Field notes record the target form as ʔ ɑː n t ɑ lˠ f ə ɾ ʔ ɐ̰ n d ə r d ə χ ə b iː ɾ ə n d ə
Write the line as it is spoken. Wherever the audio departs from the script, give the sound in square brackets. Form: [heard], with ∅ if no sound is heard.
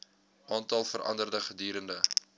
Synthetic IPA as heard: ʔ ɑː n t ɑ lˠ f ə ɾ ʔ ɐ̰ n d ə r d ə χ ə [d] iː ɾ ə n d ə